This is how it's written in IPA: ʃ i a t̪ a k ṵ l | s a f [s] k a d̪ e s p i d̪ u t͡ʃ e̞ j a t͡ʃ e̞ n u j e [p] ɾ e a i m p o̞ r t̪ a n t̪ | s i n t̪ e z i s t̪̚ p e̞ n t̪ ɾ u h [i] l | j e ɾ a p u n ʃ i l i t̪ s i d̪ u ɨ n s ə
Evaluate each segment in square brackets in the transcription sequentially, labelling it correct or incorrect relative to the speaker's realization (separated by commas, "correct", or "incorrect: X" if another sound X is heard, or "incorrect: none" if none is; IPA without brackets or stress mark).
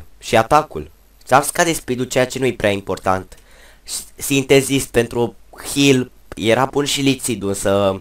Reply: correct, correct, correct